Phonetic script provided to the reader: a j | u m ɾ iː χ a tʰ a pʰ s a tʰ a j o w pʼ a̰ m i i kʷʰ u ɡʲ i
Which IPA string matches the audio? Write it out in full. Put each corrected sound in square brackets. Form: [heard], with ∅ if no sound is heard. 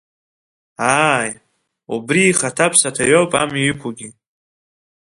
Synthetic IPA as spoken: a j | u [b] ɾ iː χ a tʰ a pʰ s a tʰ a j o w pʼ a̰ m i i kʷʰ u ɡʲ i